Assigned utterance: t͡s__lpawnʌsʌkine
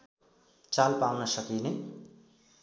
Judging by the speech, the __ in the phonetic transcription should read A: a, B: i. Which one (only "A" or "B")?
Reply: A